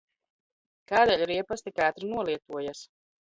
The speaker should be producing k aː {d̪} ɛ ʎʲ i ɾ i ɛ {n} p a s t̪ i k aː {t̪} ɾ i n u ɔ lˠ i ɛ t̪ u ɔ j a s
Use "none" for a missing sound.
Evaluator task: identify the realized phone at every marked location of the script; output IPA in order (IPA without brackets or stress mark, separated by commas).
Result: d̪, none, t̪